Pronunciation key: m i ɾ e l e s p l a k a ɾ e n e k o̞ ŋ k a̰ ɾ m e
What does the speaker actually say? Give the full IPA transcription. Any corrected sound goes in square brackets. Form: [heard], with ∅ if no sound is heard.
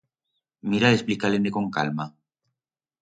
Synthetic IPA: m i ɾ [a] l e s p l [i] k a [l] e n e k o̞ ŋ k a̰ [l] m [a]

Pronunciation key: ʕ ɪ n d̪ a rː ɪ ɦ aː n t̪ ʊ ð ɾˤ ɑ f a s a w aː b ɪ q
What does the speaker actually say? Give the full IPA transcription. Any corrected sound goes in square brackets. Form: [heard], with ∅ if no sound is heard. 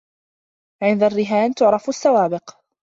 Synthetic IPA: ʕ ɪ n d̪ a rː ɪ ɦ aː n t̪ ʊ [ʕ] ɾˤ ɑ f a [sː] a w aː b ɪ q

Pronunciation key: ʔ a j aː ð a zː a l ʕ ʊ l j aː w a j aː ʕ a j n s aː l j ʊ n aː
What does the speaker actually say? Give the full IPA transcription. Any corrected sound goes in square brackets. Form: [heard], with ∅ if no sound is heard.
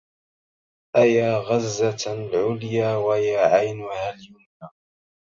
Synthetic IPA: ʔ a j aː [ɣ] a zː a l ʕ ʊ l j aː w a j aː ʕ a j n [h] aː l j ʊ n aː

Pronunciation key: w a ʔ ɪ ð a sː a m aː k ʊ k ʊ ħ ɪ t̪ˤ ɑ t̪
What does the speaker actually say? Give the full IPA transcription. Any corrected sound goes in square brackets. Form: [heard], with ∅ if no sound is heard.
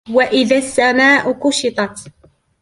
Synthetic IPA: w a ʔ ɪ ð a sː a m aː [ʔ] ʊ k ʊ [ʃ] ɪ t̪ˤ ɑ t̪

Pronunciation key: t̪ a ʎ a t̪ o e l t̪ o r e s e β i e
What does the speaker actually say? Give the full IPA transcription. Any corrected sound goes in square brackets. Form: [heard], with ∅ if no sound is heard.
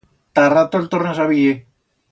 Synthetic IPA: t̪ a [r] a t̪ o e l t̪ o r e s [a] β i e

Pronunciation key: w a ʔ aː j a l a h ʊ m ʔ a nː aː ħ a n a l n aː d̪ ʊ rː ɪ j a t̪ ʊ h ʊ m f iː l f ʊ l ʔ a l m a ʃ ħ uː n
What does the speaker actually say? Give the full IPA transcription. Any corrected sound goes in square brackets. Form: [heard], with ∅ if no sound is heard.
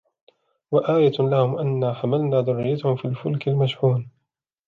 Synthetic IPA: w a ʔ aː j a l a h ʊ m ʔ a nː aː ħ a [m] a l n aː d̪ ʊ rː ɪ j a t̪ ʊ h ʊ m f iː l f ʊ l [k] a l m a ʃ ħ uː n

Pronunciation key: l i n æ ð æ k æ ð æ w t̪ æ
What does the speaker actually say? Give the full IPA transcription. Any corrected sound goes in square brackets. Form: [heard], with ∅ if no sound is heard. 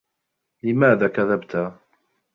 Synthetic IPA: l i [m] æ ð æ k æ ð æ [b] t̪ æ

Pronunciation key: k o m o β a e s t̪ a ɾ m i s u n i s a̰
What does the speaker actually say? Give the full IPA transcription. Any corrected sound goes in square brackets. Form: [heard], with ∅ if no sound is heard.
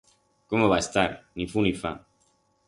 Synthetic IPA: k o m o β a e s t̪ a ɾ [n] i [f] u n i [f] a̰

